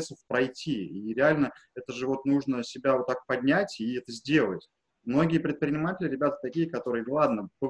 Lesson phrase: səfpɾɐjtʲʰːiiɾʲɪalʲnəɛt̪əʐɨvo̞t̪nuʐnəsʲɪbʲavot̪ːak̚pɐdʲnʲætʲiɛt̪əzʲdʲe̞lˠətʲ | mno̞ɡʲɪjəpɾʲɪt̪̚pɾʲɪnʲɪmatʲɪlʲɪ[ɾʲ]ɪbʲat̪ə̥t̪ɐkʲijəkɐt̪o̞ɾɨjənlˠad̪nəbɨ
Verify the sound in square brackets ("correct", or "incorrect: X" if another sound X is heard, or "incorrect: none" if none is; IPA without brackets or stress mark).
correct